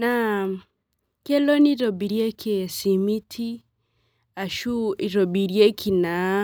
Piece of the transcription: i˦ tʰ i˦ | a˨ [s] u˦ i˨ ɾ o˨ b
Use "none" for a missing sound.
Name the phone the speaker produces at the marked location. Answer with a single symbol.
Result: ʃ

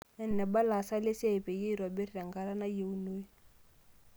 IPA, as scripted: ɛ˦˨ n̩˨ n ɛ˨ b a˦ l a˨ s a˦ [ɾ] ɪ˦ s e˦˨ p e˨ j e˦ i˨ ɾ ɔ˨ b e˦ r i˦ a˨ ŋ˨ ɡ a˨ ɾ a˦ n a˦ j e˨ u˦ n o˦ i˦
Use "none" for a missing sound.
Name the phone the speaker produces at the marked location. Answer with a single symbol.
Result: l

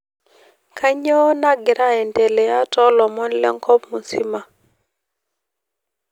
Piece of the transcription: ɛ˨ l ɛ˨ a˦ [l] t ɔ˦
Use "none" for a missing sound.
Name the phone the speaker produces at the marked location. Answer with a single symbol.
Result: none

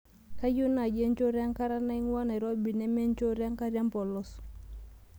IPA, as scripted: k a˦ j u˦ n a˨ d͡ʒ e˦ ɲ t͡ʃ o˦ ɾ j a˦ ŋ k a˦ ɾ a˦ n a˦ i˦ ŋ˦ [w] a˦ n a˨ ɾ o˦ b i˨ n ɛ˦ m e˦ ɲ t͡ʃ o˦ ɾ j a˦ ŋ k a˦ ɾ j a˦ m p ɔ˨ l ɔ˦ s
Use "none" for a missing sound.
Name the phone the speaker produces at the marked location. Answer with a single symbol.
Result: w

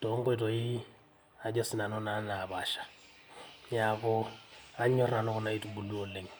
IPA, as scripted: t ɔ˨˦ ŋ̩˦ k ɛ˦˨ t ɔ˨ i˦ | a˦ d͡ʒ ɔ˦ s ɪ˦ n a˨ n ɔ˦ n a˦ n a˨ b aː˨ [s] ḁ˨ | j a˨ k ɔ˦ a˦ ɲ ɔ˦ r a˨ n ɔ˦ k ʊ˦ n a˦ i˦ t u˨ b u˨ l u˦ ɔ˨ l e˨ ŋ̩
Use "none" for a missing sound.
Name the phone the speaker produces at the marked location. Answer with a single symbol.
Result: ʃ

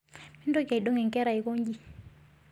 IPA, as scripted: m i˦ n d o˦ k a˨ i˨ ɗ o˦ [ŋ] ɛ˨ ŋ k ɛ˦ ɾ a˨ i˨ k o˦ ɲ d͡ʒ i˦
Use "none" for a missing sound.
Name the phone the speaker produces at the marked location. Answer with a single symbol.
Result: ŋ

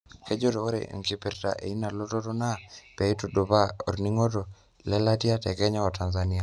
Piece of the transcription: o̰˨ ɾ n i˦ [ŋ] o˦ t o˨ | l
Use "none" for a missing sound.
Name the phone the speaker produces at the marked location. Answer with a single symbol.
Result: ŋ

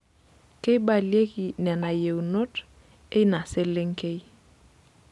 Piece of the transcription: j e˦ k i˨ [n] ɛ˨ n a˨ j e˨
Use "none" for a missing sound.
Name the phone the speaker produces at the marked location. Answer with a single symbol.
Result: n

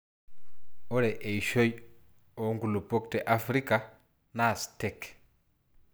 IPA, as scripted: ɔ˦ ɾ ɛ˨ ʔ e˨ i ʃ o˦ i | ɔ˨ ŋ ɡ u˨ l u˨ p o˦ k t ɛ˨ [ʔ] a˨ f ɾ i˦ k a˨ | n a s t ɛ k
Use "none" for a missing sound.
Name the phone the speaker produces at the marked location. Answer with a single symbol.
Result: ʔ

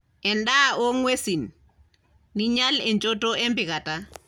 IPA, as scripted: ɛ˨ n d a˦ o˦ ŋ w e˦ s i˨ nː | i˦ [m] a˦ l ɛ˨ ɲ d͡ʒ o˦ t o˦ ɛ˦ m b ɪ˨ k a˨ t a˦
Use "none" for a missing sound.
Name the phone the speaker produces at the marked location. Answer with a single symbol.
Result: ɲ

